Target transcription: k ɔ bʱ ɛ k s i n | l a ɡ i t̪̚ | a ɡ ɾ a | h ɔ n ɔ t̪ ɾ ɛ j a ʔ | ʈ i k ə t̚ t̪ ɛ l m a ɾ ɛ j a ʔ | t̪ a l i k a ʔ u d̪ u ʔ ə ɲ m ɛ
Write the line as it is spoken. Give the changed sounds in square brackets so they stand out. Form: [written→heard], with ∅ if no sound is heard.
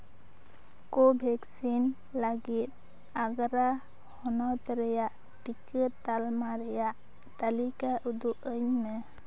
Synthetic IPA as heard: k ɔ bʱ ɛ k s i n | l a ɡ i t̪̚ | a ɡ ɾ a | h ɔ n ɔ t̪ ɾ ɛ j a ʔ | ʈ i k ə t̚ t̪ [ɛ→a] l m a ɾ ɛ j a ʔ | t̪ a l i k a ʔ u d̪ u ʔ ə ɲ m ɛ